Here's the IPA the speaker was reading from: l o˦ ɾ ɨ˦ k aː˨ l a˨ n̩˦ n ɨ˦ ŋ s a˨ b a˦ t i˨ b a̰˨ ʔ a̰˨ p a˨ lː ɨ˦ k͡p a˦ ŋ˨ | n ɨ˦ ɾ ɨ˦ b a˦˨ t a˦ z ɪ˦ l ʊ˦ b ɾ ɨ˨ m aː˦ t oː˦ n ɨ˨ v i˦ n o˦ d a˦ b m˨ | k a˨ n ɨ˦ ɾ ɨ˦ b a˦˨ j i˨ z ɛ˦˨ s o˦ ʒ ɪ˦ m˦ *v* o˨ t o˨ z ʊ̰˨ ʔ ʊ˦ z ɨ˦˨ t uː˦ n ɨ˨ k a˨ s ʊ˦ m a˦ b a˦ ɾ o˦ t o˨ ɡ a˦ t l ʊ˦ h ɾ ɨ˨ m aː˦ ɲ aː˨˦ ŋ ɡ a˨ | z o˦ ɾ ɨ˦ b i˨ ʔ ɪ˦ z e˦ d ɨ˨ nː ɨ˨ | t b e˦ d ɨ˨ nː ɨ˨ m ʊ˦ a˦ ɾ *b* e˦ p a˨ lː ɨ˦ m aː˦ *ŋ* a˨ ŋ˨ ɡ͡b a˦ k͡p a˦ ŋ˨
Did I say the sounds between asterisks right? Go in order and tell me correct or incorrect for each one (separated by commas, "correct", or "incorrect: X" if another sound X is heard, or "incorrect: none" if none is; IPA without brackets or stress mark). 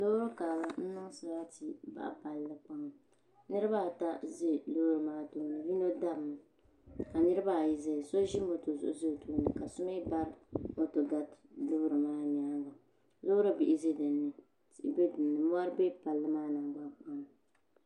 incorrect: b, correct, incorrect: n